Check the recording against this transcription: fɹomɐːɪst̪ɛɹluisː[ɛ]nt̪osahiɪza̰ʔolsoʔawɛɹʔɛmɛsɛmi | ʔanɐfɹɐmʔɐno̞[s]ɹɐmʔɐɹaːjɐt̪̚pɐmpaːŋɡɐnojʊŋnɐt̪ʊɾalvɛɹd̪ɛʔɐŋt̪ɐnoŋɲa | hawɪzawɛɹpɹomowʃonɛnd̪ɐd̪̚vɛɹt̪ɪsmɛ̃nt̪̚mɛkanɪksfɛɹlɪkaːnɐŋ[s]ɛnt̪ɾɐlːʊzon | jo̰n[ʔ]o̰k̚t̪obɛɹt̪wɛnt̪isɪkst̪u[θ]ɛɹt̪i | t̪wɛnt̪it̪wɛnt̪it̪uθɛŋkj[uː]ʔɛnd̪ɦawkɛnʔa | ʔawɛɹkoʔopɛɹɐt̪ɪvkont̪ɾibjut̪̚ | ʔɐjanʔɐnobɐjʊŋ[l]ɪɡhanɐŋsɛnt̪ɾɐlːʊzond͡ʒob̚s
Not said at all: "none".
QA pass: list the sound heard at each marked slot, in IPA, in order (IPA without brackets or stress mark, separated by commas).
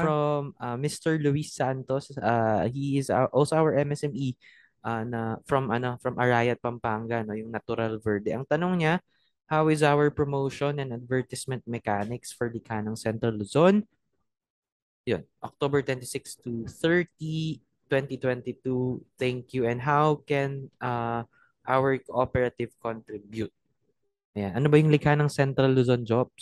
a, f, s, ʔ, θ, u, l